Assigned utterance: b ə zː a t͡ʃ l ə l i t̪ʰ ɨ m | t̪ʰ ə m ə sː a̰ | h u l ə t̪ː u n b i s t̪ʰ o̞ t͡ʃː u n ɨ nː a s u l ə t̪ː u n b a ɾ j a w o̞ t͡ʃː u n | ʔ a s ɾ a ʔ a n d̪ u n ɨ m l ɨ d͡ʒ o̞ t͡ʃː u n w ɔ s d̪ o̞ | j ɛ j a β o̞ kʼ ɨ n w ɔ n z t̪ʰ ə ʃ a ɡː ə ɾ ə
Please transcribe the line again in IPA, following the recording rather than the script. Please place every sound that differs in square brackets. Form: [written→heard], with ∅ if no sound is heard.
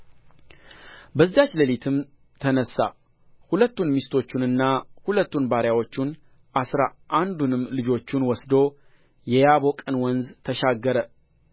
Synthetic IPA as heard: b ə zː a t͡ʃ l ə l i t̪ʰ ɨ m | t̪ʰ ə [m→n] ə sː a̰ | h u l ə t̪ː u n [b→m] i s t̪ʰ o̞ t͡ʃː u n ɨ nː a [s→h] u l ə t̪ː u n b a ɾ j a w o̞ t͡ʃː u n | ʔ a s ɾ a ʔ a n d̪ u n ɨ m l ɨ d͡ʒ o̞ t͡ʃː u n w ɔ s d̪ o̞ | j ɛ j a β o̞ kʼ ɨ n w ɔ n z t̪ʰ ə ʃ a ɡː ə ɾ ə